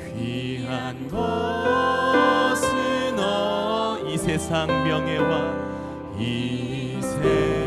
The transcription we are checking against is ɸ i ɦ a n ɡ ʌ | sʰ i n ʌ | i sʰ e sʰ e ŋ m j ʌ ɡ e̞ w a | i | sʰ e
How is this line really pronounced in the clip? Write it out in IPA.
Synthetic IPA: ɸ i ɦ a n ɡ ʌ | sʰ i n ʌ | i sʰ e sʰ a ŋ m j ʌ ŋ e̞ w a | i | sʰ e

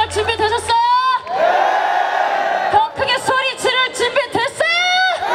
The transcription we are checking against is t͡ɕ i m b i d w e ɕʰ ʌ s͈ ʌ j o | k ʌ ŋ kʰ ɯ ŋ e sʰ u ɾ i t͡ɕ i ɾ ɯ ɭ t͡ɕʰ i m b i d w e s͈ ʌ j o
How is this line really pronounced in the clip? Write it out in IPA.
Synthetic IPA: t͡ɕ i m b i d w e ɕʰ ʌ s͈ ʌ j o | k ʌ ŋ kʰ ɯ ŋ e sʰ o ɾ i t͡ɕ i ɾ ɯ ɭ t͡ɕ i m b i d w e s͈ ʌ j o

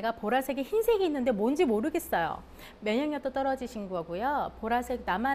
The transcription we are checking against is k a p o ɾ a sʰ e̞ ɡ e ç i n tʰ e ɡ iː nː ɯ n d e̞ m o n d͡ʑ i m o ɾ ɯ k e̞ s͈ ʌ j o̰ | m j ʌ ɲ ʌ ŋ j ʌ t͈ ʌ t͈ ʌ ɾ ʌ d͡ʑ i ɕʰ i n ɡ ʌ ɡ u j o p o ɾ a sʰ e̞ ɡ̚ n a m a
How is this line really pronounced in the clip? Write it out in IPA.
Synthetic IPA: ɡ a p o ɾ a sʰ e̞ ɡ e ç i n sʰ e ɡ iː nː ɯ n d e̞ m o n d͡ʑ i m o ɾ ɯ ɡ e̞ s͈ ʌ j o̰ | m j ʌ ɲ ʌ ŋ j ʌ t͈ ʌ t͈ ʌ ɾ ʌ d͡ʑ i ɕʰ i n ɡ ʌ ɡ u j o p o ɾ a sʰ e̞ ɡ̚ n a m a

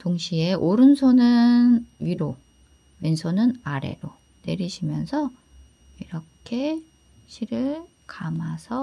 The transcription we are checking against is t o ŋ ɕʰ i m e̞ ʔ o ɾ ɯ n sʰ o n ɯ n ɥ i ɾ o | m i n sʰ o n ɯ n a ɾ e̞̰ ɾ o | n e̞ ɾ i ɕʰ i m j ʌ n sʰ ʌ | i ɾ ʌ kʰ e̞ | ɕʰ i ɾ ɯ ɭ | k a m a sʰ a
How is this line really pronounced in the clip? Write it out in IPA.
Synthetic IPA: t o ŋ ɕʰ i e̞ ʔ o ɾ ɯ n sʰ o n ɯ n ɥ i ɾ o | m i n sʰ o n ɯ n a ɾ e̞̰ ɾ o | n e̞ ɾ i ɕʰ i m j ʌ n sʰ ʌ | i ɾ ʌ kʰ e̞ | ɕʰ i ɾ ɯ ɭ | k a m a sʰ ʌ

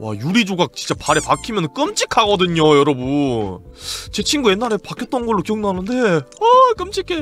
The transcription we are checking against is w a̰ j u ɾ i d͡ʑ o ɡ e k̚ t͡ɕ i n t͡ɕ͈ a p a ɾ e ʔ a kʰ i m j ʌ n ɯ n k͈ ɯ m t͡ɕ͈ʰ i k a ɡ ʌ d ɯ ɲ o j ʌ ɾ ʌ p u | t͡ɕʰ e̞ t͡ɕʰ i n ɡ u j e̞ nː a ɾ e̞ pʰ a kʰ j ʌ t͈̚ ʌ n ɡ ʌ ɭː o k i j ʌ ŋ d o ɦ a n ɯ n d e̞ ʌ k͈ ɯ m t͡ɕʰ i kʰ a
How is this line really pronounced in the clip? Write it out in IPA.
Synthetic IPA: w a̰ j u ɾ i d͡ʑ o ɡ a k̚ t͡ɕ i n t͡ɕ͈ a p a ɾ e p a kʰ i m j ʌ n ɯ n k͈ ɯ m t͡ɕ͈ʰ i kʰ a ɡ ʌ d ɯ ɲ o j ʌ ɾ ʌ b u | t͡ɕ e̞ t͡ɕʰ i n ɡ u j e̞ nː a ɾ e̞ p a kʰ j ʌ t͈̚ ʌ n ɡ ʌ ɭː o k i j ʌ ŋ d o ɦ a n ɯ n d e̞ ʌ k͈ ɯ m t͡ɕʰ i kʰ e

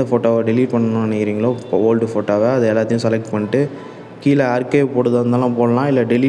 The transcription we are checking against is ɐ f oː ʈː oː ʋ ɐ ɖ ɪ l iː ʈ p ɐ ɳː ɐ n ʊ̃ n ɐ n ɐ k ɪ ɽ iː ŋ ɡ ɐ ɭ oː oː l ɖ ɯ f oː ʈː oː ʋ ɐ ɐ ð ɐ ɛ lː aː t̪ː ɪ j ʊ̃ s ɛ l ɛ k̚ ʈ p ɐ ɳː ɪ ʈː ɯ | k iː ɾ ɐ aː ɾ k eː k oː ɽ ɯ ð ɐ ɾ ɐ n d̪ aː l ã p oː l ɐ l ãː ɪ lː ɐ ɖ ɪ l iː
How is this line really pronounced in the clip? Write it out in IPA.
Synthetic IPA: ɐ f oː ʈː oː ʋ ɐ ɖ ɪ l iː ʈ p ɐ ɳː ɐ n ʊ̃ n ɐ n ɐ k ɪ ɾ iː ŋ ɡ ɐ ɭ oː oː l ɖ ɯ f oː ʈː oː ʋ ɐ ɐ ð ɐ ɛ lː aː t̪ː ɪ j ʊ̃ s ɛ l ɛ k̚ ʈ p ɐ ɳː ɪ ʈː ɯ | k iː l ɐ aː ɾ k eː p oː ɽ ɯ ð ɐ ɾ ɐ n d̪ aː l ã p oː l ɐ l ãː ɪ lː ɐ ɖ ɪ l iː

